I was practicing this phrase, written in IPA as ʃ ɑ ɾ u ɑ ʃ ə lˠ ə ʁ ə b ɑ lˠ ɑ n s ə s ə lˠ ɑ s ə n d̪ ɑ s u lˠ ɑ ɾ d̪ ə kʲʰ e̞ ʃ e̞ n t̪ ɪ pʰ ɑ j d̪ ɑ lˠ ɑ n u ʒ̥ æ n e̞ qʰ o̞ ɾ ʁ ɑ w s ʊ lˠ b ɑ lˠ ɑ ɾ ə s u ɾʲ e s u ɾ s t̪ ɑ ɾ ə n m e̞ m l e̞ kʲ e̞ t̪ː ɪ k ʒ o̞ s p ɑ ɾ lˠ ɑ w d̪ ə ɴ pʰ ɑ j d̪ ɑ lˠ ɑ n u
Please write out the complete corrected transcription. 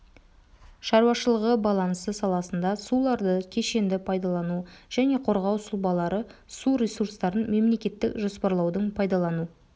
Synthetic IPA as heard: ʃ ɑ ɾ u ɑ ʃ ə lˠ ə ʁ ə b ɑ lˠ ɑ n s ə s ɑ lˠ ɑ s ə n d̪ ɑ s u lˠ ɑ ɾ d̪ ə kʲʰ e̞ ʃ e̞ n d̪ ɪ pʰ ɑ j d̪ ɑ lˠ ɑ n u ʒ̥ æ n e̞ qʰ o̞ ɾ ʁ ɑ w s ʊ lˠ b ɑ lˠ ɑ ɾ ə s u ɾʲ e s u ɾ s t̪ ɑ ɾ ə n m e̞ m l e̞ kʲ e̞ t̪ː ɪ k ʒ o̞ s p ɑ ɾ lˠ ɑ w d̪ ə ɴ pʰ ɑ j d̪ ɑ lˠ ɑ n u